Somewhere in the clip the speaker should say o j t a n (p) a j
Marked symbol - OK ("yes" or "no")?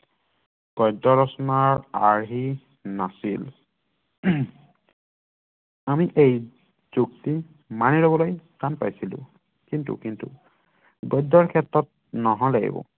yes